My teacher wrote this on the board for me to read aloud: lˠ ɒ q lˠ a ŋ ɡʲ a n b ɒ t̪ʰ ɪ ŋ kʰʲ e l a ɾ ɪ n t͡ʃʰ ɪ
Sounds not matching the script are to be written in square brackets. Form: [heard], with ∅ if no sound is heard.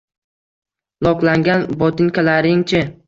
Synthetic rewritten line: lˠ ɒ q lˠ a ŋ ɡʲ a n b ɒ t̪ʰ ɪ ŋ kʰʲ [a] l a ɾ ɪ [ŋ] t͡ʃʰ ɪ